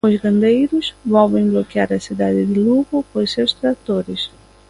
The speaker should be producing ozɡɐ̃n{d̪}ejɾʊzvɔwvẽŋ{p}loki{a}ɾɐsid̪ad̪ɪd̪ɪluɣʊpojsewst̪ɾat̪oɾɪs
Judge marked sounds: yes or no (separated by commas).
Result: yes, no, yes